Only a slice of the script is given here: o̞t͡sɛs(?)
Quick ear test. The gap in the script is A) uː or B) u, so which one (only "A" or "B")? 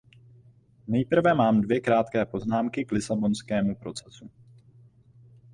B